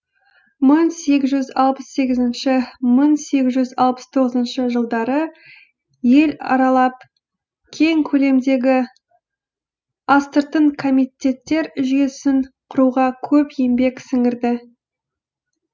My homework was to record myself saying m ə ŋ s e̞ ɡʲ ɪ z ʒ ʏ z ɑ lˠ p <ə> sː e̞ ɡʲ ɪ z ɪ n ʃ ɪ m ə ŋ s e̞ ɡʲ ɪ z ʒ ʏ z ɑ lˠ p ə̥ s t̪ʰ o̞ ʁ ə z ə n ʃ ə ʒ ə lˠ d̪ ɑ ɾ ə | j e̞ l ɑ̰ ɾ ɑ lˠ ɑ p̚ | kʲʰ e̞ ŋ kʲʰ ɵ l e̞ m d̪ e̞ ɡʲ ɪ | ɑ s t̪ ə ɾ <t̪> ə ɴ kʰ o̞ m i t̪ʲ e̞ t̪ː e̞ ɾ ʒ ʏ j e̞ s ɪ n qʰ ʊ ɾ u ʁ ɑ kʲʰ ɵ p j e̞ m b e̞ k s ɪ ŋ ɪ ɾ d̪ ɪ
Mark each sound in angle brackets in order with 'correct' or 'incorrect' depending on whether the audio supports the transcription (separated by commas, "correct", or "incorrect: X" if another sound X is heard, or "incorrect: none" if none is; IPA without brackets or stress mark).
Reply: correct, correct